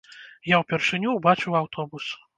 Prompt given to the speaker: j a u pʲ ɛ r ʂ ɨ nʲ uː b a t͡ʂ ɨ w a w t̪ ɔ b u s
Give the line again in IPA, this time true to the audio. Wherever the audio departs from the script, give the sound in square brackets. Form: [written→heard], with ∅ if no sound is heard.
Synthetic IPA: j a [u→w] pʲ ɛ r ʂ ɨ nʲ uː b a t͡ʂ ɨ w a w t̪ ɔ b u s